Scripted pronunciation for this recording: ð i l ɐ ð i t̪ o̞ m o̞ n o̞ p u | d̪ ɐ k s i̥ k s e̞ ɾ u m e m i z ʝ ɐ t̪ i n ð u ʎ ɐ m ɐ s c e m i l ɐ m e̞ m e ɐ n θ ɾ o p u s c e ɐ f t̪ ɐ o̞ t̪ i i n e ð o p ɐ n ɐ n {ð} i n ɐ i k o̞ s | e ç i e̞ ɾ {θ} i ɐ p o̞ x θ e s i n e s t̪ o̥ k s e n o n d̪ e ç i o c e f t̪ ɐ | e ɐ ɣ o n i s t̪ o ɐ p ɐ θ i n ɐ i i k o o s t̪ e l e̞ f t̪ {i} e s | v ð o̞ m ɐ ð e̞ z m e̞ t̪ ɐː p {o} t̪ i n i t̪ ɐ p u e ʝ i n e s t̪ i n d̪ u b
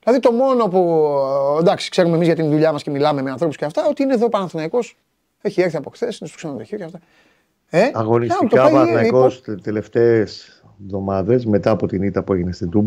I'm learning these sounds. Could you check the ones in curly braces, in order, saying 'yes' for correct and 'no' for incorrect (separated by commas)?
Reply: no, yes, no, yes